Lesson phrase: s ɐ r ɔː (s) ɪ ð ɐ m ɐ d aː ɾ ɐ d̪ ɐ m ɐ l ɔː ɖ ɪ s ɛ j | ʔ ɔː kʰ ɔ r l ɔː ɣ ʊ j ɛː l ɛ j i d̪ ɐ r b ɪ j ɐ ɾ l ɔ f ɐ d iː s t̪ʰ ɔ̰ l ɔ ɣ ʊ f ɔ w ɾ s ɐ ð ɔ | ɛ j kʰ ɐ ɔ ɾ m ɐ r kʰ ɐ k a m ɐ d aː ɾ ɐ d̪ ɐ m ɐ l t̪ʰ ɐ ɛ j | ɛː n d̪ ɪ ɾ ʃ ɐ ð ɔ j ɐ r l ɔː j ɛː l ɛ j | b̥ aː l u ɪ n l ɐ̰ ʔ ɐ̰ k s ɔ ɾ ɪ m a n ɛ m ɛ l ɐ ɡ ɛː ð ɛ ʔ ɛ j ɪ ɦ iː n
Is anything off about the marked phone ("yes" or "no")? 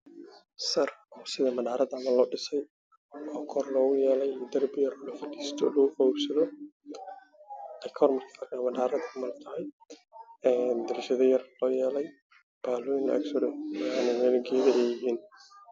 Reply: no